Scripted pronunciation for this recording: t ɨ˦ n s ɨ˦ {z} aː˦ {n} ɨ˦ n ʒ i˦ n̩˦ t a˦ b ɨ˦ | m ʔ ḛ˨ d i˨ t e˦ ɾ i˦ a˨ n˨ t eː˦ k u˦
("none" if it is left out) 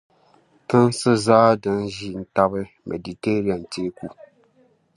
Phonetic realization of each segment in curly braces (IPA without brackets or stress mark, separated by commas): z, d